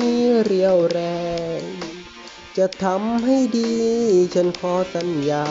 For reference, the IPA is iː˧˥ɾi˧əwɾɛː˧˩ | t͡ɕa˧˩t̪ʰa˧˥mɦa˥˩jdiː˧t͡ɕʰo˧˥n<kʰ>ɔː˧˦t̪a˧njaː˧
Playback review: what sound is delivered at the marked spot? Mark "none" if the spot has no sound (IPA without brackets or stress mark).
kʰ